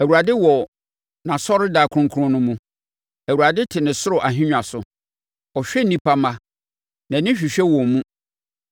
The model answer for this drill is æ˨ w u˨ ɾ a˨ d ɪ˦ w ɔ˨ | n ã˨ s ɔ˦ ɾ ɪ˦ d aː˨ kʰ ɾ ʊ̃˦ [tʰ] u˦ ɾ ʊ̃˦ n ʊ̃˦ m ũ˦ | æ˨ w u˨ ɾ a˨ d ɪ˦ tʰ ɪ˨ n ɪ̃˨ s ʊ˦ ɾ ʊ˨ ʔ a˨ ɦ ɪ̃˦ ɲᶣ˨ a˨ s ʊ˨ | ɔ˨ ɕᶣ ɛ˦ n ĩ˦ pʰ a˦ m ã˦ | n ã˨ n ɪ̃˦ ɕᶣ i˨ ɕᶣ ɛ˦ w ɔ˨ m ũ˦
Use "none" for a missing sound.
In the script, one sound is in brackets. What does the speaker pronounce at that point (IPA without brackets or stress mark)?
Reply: kʰ